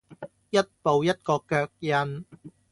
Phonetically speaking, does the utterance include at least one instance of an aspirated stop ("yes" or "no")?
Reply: no